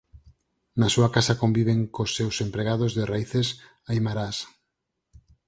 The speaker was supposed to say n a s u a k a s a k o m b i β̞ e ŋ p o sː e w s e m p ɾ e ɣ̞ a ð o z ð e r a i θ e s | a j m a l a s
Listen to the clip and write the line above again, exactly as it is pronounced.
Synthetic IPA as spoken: n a s u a k a s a k o m b i β̞ e ŋ k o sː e w s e m p ɾ e ɣ̞ a ð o z ð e r a i θ e s | a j m a ɾ a s